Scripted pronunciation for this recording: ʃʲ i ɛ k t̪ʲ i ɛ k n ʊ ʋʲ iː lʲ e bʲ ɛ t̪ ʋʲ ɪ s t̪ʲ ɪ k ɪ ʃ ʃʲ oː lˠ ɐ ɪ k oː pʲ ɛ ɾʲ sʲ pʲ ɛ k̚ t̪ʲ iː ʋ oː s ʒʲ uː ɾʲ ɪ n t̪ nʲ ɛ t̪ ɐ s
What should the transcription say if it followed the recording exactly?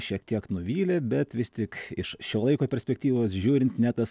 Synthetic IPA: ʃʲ i ɛ k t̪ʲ i ɛ k n ʊ ʋʲ iː lʲ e bʲ ɛ t̪ ʋʲ ɪ s t̪ʲ ɪ k ɪ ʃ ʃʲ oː lˠ ɐ ɪ k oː pʲ ɛ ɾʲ sʲ pʲ ɛ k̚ t̪ʲ iː ʋ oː s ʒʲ uː ɾʲ ɪ n t̪ nʲ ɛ t̪ ɐ s